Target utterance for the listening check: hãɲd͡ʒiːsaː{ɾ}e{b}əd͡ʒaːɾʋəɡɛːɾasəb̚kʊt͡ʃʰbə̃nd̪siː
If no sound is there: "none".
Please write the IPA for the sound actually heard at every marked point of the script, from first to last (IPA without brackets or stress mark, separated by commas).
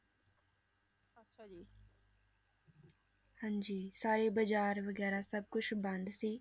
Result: ɾ, b